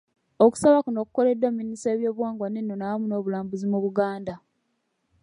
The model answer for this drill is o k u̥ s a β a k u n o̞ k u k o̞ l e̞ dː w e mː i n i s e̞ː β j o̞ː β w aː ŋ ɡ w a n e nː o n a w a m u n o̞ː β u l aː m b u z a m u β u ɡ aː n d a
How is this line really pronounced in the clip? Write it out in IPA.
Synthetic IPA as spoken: o k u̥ s a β a k u n o̞ k u k o̞ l e̞ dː w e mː i n i s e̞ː β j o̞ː β w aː ŋ ɡ w a n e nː o n a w a m u n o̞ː β u l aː m b u z i m u β u ɡ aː n d a